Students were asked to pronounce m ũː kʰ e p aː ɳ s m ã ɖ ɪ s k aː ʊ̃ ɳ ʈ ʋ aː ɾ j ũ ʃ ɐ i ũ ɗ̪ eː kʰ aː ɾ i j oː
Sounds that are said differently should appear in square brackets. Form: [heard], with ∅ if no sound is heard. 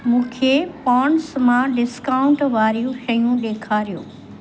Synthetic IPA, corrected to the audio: m ũː kʰ e p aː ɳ s m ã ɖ ɪ s k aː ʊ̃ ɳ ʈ ʋ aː ɾ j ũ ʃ ɐ [j] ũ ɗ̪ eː kʰ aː ɾ i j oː